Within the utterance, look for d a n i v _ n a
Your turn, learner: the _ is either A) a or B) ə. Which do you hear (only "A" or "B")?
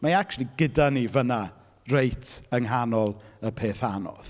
B